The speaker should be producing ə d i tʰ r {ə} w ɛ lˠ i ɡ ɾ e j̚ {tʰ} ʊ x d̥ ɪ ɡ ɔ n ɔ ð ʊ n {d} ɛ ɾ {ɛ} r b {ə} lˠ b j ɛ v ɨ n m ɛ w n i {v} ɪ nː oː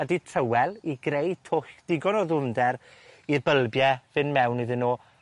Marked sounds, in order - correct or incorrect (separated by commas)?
correct, correct, correct, incorrect, correct, incorrect